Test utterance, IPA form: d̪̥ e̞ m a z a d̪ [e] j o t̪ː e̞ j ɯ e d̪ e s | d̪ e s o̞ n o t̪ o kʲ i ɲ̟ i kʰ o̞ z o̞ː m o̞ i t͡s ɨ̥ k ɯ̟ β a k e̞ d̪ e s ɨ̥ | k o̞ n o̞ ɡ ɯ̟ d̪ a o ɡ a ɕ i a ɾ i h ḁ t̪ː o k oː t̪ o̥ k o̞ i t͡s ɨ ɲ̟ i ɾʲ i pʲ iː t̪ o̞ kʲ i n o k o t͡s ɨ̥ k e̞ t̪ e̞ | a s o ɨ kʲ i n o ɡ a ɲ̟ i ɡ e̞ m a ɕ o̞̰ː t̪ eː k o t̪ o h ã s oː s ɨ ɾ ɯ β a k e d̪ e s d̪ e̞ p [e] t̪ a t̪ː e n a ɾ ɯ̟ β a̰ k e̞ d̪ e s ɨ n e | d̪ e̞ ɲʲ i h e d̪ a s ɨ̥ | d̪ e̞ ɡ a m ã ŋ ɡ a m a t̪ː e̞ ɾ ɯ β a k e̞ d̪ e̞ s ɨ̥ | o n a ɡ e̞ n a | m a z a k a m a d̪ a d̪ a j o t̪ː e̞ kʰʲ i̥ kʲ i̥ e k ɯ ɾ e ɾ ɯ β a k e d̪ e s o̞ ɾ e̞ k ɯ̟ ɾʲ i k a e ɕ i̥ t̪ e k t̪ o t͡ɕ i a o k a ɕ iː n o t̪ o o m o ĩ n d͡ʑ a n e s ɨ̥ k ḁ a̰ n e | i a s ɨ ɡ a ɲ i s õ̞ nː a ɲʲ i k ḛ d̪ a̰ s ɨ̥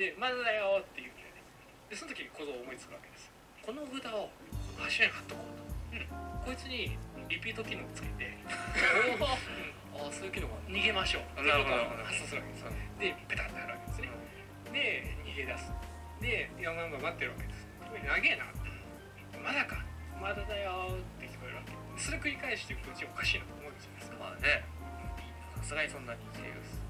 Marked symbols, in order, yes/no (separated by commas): no, yes